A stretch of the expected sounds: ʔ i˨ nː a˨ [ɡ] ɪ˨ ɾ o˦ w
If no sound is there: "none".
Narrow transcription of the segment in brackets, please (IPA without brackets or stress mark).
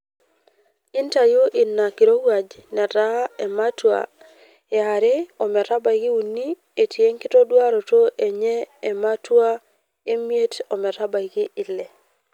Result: k